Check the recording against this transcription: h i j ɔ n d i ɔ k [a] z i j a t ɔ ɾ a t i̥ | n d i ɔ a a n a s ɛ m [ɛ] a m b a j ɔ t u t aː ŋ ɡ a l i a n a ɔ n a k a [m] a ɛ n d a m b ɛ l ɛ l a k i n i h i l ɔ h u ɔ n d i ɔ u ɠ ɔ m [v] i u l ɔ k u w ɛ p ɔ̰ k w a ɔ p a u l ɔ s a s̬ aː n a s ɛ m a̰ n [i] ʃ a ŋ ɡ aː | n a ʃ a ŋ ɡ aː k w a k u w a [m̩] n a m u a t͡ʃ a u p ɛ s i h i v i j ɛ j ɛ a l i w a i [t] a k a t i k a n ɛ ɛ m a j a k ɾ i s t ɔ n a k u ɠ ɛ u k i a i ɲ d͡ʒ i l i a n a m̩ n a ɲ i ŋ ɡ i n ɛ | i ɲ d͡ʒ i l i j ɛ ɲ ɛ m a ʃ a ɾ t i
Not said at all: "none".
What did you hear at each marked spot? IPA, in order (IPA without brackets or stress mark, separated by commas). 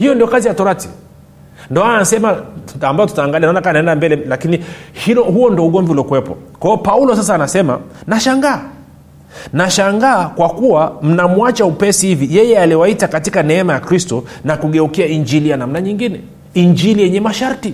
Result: a, a, n, v, a, m̩, t